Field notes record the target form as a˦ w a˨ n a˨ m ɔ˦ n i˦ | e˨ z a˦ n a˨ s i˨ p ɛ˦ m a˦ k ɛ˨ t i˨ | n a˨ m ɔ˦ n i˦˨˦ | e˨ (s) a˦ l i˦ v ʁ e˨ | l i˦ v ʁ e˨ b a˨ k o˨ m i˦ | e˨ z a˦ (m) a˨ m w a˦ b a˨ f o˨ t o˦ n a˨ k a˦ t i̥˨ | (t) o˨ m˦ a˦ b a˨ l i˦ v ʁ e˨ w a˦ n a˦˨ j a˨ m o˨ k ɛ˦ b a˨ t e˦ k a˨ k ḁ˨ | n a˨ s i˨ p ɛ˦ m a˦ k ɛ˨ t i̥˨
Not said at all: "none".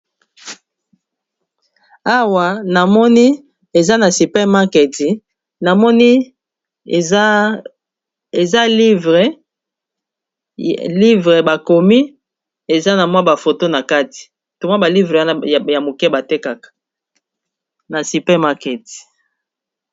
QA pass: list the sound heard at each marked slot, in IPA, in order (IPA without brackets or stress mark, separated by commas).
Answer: z, n, t